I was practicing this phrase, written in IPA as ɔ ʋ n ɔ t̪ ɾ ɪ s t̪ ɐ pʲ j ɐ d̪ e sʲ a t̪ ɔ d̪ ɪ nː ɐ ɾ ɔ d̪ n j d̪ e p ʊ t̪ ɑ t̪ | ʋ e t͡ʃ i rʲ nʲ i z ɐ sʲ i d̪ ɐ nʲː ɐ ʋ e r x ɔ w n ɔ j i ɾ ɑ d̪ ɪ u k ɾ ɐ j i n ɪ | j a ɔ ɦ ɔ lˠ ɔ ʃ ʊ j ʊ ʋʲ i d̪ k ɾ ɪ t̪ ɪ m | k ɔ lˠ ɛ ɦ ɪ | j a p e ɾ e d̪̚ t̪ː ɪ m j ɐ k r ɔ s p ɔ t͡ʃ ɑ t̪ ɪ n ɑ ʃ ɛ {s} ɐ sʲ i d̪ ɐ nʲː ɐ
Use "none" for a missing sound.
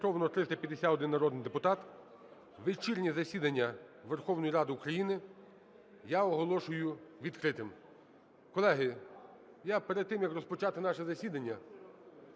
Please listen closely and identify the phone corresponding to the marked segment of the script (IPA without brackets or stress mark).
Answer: z